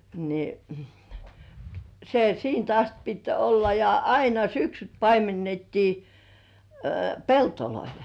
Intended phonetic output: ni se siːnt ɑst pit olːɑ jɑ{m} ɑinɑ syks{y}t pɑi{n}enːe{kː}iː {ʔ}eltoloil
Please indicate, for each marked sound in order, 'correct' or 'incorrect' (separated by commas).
incorrect, correct, incorrect, incorrect, incorrect